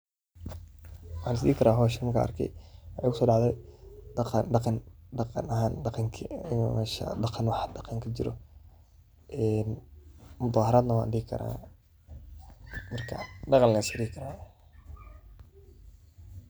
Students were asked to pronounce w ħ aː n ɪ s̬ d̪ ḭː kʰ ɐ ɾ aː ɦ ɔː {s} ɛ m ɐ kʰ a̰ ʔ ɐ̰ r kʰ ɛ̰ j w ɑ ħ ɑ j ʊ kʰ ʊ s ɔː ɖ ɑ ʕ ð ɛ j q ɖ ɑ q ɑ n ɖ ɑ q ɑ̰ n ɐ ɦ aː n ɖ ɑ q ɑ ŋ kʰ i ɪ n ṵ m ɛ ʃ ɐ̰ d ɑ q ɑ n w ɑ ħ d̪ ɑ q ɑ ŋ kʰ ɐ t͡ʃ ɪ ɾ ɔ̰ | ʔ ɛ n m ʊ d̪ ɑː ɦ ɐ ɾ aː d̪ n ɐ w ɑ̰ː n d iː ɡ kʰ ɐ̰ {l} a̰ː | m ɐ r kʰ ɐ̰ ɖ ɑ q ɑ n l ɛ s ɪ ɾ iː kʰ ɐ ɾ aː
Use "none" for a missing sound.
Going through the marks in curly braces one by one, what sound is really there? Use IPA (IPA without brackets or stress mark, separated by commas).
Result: ʃ, ɾ